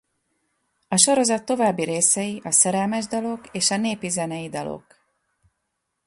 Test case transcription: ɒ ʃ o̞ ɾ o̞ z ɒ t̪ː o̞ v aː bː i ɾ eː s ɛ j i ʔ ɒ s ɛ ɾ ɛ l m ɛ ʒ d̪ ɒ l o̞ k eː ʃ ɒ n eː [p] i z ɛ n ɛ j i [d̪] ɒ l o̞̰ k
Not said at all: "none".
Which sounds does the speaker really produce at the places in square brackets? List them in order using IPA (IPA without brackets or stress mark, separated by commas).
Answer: p, d̪